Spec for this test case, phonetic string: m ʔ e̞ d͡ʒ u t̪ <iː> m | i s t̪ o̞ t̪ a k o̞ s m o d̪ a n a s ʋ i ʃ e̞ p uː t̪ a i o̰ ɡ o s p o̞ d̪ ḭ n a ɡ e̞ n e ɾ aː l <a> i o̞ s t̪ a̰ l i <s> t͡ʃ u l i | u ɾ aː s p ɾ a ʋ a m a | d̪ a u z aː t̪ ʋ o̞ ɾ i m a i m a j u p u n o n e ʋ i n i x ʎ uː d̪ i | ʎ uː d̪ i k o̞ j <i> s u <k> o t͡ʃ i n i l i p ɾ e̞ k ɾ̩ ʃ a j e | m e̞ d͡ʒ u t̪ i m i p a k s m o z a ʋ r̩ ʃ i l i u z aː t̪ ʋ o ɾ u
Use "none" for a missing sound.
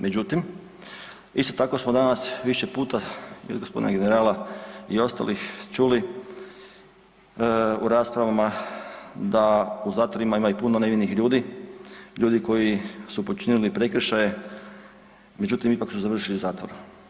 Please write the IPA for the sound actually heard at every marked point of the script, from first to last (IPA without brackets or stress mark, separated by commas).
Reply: i, a, x, i, p